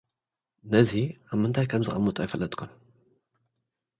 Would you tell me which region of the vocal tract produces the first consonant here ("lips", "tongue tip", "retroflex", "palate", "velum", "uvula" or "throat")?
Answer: tongue tip